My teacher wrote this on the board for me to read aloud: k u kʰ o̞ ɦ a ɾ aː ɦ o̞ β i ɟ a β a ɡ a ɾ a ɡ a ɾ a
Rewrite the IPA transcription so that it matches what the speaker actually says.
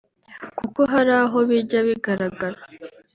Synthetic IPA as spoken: k u k o̞ ɦ a ɾ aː ɦ o̞ β i ɟ a β i ɡ a ɾ a ɡ a ɾ a

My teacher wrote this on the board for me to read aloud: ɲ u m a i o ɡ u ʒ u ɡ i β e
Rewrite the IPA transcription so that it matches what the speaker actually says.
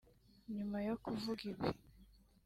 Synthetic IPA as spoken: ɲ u m a j o k u v u ɡ i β i

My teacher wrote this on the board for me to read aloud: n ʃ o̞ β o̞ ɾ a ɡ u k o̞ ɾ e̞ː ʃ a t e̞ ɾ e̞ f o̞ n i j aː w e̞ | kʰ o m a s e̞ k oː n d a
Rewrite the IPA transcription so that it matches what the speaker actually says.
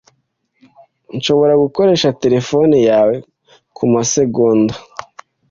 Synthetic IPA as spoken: n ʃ o̞ β o̞ ɾ a ɡ u k o̞ ɾ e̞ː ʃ a t e̞ ɾ e̞ f o̞ n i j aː w e̞ | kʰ u m a s e̞ ɡ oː n d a

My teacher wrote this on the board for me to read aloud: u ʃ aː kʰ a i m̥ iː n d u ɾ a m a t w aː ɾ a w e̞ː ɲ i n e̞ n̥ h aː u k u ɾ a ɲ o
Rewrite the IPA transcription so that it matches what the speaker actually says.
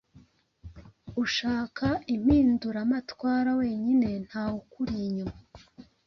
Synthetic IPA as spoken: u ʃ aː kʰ a i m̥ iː n d u ɾ a m a t w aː ɾ a w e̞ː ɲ i n e̞ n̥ h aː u k u ɾ i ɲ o

